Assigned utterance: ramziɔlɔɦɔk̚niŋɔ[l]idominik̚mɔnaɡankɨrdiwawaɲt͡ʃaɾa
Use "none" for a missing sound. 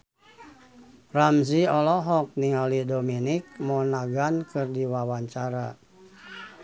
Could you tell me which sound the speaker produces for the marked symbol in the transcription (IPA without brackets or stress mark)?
l